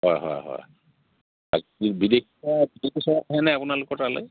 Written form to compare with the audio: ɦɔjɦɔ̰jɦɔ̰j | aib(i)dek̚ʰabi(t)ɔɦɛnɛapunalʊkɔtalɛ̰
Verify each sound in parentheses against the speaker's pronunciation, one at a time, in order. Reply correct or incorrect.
correct, incorrect

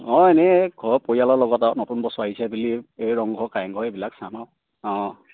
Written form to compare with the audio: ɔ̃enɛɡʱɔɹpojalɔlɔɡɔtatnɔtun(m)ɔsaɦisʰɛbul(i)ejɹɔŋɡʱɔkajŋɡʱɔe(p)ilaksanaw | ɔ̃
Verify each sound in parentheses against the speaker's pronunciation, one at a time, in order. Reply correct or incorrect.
incorrect, correct, incorrect

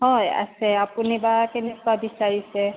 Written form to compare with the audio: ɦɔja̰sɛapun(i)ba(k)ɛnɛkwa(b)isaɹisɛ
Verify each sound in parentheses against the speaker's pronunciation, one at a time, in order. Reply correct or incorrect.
correct, correct, correct

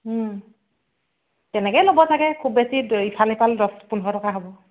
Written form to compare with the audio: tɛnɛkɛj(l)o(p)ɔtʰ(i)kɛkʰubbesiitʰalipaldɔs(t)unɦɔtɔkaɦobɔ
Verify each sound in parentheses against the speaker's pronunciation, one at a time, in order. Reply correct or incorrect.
correct, incorrect, incorrect, incorrect

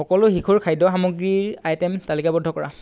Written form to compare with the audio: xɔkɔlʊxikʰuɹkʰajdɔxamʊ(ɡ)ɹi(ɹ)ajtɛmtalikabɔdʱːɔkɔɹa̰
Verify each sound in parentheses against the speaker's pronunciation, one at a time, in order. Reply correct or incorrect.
correct, correct

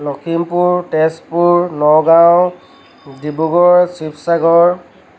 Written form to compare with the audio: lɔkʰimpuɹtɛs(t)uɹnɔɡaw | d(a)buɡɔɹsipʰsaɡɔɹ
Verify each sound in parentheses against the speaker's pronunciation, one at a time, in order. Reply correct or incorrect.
incorrect, incorrect

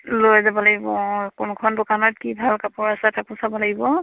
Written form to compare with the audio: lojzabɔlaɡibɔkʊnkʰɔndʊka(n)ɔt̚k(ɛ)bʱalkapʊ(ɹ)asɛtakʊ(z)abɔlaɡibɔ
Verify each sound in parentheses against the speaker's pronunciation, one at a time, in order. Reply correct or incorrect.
correct, incorrect, correct, incorrect

